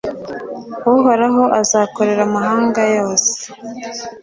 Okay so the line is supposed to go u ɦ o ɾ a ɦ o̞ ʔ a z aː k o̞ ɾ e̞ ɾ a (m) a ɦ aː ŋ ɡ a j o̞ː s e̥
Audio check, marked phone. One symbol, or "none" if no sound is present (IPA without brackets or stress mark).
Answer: m